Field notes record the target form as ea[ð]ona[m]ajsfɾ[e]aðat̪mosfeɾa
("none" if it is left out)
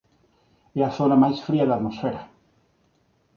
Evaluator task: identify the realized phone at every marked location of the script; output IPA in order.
θ, m, i

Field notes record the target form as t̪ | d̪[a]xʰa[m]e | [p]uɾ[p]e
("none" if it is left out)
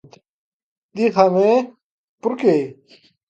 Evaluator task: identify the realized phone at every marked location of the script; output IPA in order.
i, m, p, k

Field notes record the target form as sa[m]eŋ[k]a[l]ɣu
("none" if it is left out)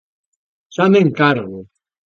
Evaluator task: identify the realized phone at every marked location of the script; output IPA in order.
m, k, ɾ

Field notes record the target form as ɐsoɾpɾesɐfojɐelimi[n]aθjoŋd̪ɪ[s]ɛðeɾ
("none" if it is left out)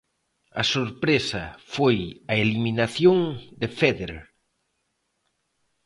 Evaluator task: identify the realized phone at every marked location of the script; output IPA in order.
n, f

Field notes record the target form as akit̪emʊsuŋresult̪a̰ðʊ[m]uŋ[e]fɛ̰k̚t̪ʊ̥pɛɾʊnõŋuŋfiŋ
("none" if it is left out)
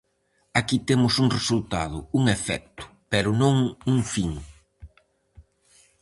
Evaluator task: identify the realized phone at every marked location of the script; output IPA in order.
none, e

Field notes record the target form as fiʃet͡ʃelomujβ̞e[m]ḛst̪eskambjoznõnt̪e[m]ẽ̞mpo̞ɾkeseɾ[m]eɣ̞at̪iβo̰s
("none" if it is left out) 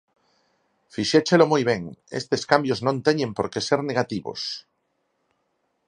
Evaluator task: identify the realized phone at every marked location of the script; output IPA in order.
ŋ, ɲ, n

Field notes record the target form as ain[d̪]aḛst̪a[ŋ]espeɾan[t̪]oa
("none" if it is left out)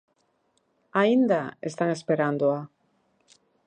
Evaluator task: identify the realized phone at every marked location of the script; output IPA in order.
d̪, ŋ, d̪

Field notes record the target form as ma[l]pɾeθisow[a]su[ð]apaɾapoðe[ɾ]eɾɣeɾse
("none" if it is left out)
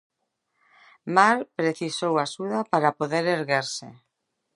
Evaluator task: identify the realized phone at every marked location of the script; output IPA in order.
ɾ, a, ð, ɾ

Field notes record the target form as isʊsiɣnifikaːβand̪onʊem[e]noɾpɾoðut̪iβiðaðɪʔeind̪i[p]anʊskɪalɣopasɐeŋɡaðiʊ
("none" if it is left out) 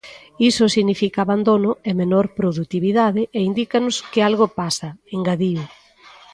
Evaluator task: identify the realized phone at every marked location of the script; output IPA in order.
e, k

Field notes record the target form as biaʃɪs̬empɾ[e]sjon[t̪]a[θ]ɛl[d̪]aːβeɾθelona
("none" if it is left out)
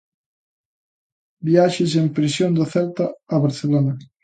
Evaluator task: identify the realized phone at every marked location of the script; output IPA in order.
i, d̪, θ, t̪

